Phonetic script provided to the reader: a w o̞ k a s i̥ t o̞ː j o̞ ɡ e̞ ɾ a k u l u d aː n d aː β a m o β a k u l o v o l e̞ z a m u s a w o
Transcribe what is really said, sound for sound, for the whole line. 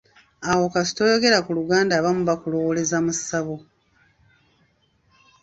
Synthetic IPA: a w o̞ k a s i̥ t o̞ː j o̞ ɡ e̞ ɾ a k u l u ɡ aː n d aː β a m u β a k u l o w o l e̞ z a m u s a β o